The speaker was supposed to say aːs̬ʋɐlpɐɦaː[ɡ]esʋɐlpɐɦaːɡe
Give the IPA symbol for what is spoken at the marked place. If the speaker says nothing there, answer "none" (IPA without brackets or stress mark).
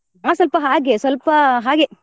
ɡ